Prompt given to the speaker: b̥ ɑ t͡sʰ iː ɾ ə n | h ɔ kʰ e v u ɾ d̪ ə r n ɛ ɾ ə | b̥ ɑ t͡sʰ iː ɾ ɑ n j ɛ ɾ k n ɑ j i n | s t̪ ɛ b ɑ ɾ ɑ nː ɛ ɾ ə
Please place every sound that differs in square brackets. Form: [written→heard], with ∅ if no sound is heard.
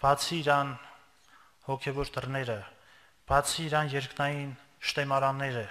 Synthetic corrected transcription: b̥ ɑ t͡sʰ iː ɾ [ə→ɑ] n | h ɔ kʰ [e→ɛ] v [u→ɔ] ɾ d̪ ə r n ɛ ɾ ə | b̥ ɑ t͡sʰ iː ɾ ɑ n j ɛ ɾ k n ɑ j i n | [s→ʃ] t̪ ɛ [b→m] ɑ ɾ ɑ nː ɛ ɾ ə